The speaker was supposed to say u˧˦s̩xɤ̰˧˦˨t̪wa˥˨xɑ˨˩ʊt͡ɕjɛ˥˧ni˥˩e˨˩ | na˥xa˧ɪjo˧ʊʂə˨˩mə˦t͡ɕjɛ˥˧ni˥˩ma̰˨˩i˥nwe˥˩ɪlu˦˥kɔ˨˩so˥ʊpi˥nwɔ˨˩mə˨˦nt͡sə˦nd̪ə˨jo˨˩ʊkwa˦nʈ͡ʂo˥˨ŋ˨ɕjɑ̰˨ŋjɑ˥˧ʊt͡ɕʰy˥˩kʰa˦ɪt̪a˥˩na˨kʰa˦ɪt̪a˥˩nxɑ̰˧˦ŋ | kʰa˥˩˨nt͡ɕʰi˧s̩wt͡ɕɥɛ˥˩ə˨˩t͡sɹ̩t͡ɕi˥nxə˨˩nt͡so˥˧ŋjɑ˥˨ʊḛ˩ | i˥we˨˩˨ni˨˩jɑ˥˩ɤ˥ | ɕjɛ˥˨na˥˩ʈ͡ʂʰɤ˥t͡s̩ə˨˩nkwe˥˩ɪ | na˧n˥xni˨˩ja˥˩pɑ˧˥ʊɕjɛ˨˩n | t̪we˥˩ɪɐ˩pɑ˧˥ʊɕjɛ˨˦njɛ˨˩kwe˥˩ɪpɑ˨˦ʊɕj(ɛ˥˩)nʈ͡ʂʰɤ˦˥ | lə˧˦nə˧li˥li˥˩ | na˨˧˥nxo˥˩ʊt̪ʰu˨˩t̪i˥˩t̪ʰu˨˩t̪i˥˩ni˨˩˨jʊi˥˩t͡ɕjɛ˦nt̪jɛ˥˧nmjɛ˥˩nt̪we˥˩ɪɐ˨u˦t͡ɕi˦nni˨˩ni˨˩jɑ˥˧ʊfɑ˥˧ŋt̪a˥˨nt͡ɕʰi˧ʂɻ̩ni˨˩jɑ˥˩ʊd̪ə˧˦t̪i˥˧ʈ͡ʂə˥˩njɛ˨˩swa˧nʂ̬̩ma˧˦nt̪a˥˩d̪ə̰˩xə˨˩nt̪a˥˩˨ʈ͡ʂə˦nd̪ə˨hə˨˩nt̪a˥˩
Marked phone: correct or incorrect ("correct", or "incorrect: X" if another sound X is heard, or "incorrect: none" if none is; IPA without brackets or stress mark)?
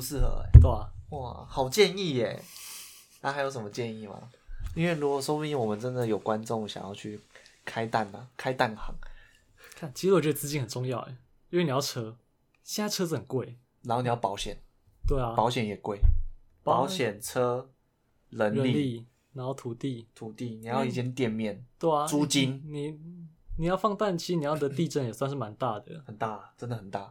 incorrect: ɛ˨˩